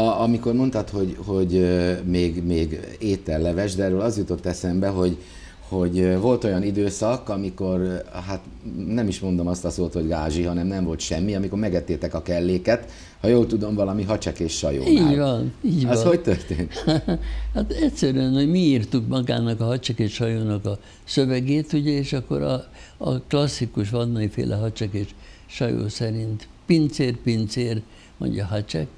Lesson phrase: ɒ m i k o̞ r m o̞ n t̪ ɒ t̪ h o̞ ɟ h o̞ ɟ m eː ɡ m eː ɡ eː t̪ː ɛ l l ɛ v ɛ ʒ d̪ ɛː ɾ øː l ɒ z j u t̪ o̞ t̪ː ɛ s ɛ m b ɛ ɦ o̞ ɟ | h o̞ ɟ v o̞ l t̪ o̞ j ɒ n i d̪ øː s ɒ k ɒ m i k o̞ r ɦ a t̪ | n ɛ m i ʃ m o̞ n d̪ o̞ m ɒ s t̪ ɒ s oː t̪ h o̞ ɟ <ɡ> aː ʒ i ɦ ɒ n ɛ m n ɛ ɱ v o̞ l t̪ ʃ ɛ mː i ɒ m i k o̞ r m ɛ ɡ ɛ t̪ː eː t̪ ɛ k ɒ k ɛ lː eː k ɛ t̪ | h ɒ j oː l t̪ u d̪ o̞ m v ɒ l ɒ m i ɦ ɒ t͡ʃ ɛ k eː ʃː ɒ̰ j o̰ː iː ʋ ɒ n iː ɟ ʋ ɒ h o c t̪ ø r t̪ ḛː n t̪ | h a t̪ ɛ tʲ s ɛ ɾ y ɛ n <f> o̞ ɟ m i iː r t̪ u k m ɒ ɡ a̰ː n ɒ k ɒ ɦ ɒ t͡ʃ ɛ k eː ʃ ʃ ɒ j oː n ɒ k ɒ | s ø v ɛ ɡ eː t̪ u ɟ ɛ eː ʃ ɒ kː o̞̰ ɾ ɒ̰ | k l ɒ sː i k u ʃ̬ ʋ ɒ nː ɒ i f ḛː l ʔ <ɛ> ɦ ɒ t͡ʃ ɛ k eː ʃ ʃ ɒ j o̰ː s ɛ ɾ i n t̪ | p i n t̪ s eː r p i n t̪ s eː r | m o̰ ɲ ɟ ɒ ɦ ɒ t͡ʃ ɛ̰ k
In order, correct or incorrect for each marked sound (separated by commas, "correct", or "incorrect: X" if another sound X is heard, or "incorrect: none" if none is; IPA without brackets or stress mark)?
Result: correct, incorrect: h, correct